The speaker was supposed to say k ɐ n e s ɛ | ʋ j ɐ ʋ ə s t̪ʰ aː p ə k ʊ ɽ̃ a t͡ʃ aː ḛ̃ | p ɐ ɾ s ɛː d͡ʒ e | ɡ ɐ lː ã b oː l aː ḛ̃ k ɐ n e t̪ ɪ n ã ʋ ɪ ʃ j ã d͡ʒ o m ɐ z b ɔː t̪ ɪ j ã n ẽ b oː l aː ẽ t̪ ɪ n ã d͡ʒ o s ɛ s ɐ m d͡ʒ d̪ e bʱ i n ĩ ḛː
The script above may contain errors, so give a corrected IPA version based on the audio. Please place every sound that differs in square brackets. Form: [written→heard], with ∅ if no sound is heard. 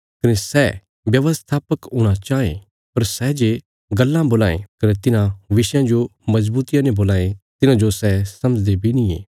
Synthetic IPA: k ɐ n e s ɛ | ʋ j ɐ ʋ ə s t̪ʰ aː p ə k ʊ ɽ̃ a t͡ʃ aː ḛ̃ | p ɐ ɾ s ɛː d͡ʒ e | ɡ ɐ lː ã b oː l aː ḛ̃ k ɐ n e t̪ ɪ n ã ʋ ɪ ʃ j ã d͡ʒ o m ɐ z b [ɔː→uː] t̪ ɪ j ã n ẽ b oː l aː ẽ t̪ ɪ n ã d͡ʒ o s ɛ s ɐ m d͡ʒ d̪ e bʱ i n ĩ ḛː